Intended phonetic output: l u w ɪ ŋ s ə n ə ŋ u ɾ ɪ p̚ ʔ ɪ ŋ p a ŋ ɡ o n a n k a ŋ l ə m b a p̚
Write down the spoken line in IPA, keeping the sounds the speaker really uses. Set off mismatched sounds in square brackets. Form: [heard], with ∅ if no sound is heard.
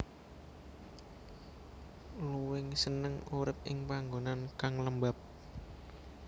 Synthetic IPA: l u w ɪ ŋ s ə n ə ŋ u ɾ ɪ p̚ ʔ ɪ ŋ p a ŋ ɡ o n a n k a ŋ l ə m b a p̚

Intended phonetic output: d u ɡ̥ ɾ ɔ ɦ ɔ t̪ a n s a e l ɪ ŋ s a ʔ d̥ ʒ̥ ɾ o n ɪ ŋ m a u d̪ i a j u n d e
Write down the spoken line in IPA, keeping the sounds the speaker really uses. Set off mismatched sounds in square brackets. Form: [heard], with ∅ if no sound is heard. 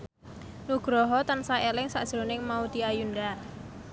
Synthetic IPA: [n] u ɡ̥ ɾ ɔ ɦ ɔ t̪ a n s a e l ɪ ŋ s a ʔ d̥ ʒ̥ ɾ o n ɪ ŋ m a u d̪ i a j u n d [a]

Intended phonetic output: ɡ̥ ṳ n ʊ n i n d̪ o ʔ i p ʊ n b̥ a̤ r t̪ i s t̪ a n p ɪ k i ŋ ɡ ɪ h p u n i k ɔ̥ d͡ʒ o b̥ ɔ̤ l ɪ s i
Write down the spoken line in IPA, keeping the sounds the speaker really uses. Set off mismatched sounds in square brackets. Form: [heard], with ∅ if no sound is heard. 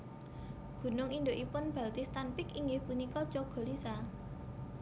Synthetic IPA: ɡ̥ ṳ n ʊ [ŋ] i n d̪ o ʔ i p ʊ n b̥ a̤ [l] t̪ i s t̪ a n p ɪ k i ŋ ɡ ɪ h p u n i k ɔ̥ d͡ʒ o [ɡ̥] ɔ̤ l [i] s [a]

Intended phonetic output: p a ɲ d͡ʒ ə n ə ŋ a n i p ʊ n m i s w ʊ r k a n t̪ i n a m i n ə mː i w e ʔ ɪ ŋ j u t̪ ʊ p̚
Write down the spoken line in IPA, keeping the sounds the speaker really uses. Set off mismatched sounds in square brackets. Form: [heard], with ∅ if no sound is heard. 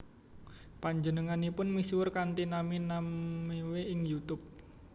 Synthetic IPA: p a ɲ d͡ʒ ə n ə ŋ a n i p ʊ n m i s w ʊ r k a n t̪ i n a m i n [a] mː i w e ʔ ɪ ŋ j u t̪ ʊ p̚

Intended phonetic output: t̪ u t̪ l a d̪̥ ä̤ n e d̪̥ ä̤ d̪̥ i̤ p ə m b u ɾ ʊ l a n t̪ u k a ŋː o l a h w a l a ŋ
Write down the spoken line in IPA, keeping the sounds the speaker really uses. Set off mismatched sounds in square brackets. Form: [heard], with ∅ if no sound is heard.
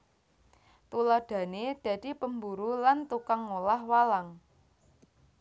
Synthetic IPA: t̪ u [∅] l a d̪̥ ä̤ n e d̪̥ ä̤ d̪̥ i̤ p ə m b u ɾ [u] l a n t̪ u k a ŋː o l a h w a l a ŋ

